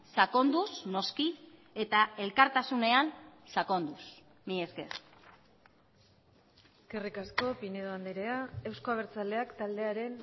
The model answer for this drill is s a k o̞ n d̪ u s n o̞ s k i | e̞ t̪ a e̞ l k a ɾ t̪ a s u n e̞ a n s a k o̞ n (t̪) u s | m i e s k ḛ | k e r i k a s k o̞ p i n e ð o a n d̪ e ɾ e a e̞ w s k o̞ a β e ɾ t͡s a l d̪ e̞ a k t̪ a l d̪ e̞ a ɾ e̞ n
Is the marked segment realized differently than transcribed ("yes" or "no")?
yes